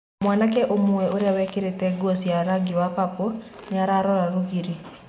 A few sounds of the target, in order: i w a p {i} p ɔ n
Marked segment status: incorrect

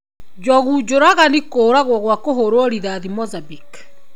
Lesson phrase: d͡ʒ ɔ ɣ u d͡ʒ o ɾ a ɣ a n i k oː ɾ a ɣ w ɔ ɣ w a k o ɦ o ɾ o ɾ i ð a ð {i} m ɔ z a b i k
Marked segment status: correct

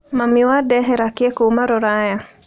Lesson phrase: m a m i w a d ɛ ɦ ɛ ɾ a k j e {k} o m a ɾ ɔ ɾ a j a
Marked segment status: correct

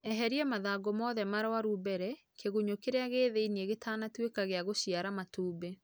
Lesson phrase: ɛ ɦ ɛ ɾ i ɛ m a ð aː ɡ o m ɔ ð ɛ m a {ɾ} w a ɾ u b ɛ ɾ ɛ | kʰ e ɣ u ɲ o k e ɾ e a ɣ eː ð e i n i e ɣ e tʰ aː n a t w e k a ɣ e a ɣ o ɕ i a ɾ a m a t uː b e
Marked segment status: correct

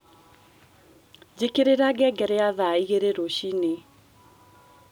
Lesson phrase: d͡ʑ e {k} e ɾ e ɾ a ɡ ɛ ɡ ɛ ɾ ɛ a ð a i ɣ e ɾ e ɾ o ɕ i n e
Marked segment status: correct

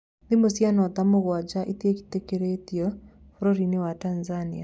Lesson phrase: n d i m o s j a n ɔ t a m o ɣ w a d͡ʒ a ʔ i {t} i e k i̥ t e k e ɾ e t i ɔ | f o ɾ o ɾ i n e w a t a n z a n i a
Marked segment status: correct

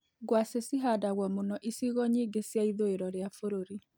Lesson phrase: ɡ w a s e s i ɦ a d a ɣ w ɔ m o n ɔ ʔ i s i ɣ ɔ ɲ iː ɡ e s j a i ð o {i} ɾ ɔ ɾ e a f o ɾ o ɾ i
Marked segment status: incorrect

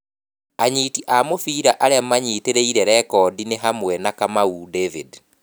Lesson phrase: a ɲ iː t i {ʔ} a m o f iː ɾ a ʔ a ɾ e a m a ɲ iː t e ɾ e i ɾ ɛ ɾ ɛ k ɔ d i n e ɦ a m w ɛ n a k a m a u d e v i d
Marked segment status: correct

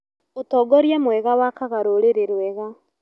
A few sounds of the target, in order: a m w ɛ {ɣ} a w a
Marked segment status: correct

